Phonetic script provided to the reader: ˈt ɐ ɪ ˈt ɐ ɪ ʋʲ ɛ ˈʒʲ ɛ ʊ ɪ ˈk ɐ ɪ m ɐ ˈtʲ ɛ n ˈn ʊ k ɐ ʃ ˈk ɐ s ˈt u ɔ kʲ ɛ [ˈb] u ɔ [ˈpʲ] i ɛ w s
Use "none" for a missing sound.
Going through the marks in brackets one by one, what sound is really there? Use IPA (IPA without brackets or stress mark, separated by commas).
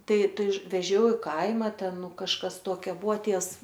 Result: b, tʲ